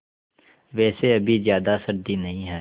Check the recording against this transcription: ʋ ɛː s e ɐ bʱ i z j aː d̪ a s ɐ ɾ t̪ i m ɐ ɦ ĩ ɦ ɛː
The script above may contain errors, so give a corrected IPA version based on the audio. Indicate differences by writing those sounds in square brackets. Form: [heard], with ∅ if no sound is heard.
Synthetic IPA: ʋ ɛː s e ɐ bʱ i z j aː d̪ a s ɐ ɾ [d̪] i [n] ɐ ɦ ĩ ɦ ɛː